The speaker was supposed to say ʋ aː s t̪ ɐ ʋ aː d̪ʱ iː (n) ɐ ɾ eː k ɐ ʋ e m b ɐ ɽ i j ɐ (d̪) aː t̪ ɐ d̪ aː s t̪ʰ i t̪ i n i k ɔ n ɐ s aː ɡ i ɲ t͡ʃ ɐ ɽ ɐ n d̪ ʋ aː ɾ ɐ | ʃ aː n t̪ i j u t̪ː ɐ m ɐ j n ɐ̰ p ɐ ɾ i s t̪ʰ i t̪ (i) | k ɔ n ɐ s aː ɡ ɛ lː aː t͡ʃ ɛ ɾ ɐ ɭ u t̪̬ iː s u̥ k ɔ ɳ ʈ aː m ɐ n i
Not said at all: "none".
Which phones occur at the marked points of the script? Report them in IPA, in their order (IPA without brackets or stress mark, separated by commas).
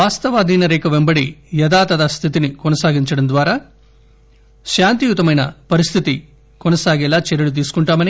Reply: n, d̪, i